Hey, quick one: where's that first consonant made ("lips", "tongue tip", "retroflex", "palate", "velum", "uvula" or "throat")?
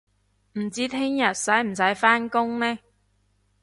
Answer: lips